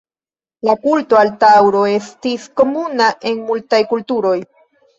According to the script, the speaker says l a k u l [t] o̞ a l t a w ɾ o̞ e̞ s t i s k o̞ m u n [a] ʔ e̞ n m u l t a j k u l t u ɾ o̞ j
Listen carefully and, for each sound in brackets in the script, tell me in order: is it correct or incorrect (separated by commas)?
correct, correct